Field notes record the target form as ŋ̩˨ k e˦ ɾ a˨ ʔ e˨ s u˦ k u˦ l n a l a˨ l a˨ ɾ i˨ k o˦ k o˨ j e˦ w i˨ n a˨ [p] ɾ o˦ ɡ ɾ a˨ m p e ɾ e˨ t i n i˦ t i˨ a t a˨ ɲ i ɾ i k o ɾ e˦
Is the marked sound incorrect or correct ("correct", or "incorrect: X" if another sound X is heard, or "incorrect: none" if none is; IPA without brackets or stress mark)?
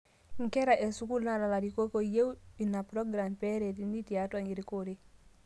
correct